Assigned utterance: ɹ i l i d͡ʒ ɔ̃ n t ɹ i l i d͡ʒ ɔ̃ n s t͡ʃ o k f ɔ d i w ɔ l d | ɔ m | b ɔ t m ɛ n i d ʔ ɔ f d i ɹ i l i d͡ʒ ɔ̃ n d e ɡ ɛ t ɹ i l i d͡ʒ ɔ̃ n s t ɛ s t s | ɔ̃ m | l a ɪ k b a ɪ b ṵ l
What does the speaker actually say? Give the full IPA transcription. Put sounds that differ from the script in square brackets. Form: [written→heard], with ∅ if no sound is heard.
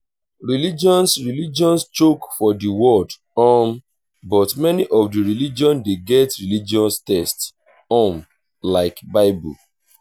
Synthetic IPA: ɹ i l i d͡ʒ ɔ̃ n [t→s] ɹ i l i d͡ʒ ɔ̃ n s t͡ʃ o k f ɔ d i w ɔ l d | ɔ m | b ɔ t m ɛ n i [d→∅] ʔ ɔ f d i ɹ i l i d͡ʒ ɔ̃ n d e ɡ ɛ t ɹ i l i d͡ʒ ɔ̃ n s t ɛ s t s | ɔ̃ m | l a ɪ k b a ɪ b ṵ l

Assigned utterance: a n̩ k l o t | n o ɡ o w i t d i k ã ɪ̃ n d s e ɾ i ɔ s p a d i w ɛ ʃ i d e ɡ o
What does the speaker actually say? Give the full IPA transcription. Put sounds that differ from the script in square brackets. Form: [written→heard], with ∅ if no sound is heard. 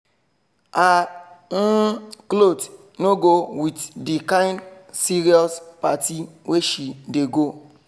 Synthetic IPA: a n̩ k l o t | n o ɡ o w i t d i k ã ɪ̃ n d s [e→i] ɾ i ɔ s p a [d→t] i w [ɛ→e] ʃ i d e ɡ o

